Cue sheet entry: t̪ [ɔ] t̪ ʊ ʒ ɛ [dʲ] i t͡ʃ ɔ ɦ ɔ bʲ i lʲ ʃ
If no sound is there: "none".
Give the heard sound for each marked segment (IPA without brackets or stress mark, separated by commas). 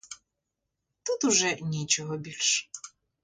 u, nʲ